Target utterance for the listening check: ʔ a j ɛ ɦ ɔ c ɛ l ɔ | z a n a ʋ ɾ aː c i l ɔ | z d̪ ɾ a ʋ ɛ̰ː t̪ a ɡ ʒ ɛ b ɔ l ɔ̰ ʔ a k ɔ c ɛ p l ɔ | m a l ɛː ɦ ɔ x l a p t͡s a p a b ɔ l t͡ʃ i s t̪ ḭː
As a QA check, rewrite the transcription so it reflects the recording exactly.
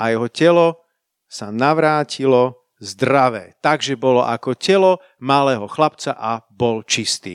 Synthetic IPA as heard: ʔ a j ɛ ɦ ɔ c ɛ l ɔ | s a n a ʋ ɾ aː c i l ɔ | z d̪ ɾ a ʋ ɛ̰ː t̪ a ɡ ʒ ɛ b ɔ l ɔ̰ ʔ a k ɔ c ɛ l ɔ | m a l ɛː ɦ ɔ x l a p t͡s a ʔ a b ɔ l t͡ʃ i s t̪ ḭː